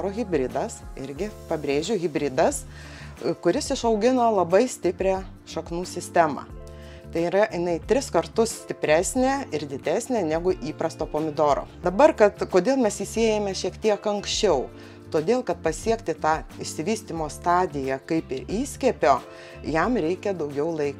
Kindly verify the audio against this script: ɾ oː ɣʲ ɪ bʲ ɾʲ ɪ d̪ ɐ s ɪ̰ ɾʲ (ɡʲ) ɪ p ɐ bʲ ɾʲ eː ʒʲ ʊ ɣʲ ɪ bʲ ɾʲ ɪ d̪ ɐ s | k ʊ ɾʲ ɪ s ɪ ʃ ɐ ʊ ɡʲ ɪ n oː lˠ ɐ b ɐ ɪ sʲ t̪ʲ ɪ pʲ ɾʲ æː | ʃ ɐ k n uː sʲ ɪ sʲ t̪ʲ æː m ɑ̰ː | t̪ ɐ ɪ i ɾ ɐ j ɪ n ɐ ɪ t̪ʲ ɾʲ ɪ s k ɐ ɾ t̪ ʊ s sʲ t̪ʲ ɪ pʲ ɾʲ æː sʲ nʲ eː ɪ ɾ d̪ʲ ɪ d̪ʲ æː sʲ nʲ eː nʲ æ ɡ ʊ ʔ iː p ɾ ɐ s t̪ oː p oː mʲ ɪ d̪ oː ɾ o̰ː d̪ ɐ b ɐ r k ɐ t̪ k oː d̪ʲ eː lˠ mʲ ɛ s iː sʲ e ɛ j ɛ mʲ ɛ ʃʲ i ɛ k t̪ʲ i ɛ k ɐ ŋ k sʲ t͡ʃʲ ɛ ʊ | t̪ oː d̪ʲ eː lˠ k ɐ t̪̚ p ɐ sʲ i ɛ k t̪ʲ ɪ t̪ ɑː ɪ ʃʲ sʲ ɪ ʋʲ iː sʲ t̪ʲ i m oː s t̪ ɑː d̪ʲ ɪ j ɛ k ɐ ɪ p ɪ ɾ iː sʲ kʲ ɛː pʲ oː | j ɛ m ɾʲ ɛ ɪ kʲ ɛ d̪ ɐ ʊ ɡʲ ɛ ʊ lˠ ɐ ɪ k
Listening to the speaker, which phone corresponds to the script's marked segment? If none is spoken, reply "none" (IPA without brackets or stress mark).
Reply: ɡʲ